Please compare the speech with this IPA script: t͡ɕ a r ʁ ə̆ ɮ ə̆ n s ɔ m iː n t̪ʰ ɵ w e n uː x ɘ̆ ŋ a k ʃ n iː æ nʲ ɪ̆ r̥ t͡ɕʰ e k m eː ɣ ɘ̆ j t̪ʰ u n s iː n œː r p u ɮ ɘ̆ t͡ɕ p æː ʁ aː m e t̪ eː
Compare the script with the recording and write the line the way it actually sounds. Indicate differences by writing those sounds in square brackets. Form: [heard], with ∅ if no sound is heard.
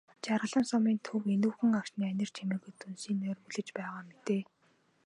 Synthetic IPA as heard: t͡ɕ a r ʁ ə̆ ɮ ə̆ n s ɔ m iː n t̪ʰ ɵ w e n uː x ɘ̆ ŋ a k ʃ n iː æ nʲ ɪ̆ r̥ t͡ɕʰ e [∅] m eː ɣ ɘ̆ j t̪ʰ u n s iː n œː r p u ɮ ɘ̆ t͡ɕ p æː ʁ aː m e t̪ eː